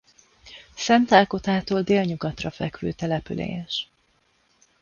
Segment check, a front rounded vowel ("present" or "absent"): present